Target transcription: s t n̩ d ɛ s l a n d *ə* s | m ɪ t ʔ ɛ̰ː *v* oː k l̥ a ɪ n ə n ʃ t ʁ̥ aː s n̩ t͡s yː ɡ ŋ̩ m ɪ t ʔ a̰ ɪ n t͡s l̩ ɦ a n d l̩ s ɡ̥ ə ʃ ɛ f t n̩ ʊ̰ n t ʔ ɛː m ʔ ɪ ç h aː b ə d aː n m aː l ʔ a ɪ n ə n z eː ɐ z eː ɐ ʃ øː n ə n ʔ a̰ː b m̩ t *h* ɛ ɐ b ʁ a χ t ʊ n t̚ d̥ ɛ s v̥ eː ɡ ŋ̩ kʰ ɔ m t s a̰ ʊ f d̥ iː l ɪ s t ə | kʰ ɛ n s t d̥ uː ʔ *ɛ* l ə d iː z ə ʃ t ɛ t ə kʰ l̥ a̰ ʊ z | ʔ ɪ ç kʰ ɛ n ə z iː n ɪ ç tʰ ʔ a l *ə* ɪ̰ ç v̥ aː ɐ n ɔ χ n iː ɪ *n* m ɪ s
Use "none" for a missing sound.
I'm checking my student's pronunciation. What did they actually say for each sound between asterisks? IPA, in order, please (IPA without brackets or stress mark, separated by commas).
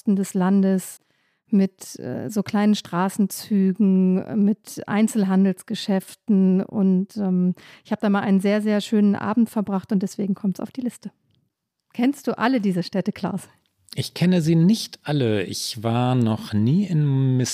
ə, z, f, a, ə, n